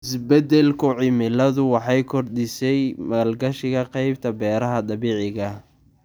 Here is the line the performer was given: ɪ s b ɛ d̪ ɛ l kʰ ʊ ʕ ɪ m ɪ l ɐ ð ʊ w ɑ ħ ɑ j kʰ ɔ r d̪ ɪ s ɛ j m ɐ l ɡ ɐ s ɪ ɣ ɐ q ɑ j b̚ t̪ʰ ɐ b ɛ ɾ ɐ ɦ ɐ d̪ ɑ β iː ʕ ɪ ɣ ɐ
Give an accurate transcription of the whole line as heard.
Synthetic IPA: ɪ s b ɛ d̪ ɛ l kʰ ʊ ʕ ɪ m ɪ l ɐ ð ʊ w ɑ ħ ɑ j kʰ ɔ r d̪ ɪ s ɛ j m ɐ l ɡ ɐ ʃ ɪ ɣ ɐ q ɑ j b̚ t̪ʰ ɐ b ɛː ɾ ɐ ɦ ɐ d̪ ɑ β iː ʕ ɪ ɣ ɐ